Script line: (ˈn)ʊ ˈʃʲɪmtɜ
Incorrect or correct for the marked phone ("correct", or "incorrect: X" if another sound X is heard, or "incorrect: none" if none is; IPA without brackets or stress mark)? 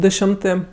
incorrect: d